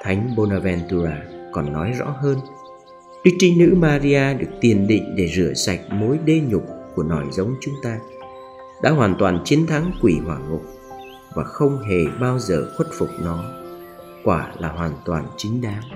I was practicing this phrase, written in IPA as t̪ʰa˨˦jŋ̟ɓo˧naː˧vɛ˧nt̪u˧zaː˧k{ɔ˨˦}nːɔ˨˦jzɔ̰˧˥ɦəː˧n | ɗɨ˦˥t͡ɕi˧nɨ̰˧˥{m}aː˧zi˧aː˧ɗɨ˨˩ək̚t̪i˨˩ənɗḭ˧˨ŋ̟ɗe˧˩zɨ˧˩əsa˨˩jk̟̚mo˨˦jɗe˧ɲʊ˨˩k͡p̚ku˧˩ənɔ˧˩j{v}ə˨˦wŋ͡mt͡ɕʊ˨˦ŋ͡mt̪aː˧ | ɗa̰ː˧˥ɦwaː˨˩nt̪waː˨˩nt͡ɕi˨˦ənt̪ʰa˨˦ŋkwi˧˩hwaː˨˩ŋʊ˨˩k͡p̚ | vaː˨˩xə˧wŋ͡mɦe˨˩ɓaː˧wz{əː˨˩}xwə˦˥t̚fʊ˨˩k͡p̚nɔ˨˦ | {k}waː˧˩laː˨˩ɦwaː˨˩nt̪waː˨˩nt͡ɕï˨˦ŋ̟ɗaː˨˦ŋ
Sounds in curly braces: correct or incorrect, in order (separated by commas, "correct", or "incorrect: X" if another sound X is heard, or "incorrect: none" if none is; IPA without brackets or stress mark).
incorrect: ɔ˨˩, correct, incorrect: z, correct, correct